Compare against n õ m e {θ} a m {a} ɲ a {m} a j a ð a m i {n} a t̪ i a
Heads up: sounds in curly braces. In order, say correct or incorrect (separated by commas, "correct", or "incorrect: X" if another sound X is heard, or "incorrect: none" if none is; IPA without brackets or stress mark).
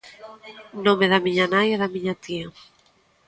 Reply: incorrect: ð, incorrect: i, incorrect: n, incorrect: ɲ